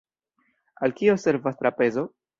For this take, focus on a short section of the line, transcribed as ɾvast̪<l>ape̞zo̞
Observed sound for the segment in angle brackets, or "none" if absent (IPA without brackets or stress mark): ɾ